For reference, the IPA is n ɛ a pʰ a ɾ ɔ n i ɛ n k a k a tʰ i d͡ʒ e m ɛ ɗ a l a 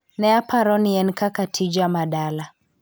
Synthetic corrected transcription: n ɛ a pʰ a ɾ ɔ n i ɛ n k a k a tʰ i d͡ʒ a m a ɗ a l a